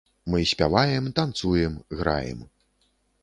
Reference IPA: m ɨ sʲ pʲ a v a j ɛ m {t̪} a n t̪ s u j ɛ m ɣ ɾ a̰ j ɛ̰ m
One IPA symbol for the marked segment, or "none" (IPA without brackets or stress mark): t̪